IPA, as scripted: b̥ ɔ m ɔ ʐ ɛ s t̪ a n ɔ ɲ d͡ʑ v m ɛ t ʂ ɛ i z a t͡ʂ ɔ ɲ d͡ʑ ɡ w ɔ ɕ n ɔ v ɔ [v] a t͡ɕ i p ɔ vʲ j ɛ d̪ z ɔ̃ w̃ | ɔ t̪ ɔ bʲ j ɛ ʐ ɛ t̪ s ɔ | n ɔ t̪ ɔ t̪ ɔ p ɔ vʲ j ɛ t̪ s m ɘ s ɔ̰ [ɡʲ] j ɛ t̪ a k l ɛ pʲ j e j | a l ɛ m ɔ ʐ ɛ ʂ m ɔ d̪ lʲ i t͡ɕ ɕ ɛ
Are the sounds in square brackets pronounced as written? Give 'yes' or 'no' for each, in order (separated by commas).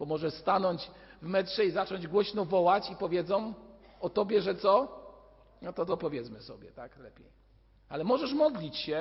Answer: no, no